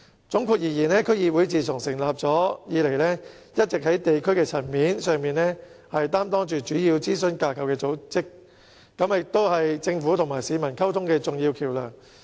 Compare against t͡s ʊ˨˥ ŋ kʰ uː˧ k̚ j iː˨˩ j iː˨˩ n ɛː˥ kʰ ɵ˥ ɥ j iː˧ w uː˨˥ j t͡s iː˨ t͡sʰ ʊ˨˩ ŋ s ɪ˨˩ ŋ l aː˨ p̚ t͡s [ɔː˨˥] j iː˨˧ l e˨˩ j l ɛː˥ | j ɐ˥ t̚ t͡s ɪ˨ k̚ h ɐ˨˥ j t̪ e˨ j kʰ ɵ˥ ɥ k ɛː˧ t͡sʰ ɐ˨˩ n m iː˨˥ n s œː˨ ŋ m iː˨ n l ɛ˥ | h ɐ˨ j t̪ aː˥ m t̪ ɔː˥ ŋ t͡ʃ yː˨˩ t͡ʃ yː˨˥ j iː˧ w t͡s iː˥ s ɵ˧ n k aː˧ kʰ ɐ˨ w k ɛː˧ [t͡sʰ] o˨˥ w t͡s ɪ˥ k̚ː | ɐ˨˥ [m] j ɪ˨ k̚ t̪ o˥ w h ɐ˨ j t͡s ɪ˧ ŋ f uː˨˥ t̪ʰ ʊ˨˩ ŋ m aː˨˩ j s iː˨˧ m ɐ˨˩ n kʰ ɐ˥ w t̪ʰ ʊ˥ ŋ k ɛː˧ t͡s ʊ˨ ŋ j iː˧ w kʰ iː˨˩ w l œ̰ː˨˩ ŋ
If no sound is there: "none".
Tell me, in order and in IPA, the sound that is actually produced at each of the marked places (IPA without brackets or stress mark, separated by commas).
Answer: ɔː˨˥, t͡s, m